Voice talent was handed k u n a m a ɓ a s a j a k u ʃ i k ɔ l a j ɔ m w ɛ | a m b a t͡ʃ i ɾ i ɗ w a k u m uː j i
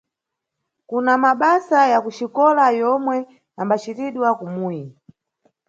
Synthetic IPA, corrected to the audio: k u n a m a ɓ a s a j a k u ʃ i k ɔ l a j ɔ m w ɛ | a m b a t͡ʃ i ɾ i ɗ w a k u m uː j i